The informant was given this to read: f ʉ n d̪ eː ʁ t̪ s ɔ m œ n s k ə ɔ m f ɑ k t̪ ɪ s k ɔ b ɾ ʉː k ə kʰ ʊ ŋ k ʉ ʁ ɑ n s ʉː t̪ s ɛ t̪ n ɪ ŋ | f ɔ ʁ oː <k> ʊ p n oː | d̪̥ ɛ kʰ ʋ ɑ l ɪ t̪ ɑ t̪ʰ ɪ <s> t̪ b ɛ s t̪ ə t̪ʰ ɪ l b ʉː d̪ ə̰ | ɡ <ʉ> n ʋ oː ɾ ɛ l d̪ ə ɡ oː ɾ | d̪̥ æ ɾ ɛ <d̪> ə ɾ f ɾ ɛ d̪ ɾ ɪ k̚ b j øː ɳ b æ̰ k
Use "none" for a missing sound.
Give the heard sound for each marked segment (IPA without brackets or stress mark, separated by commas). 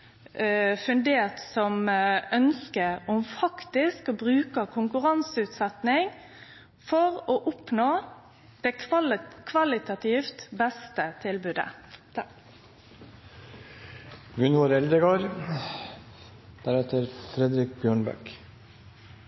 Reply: ʔ, f, ʉ, t̪